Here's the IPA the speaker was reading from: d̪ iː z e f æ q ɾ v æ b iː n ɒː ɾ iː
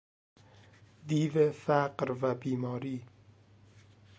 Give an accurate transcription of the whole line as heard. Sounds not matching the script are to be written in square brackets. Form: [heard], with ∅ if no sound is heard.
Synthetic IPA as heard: d̪ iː [v] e f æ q ɾ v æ b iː [m] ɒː ɾ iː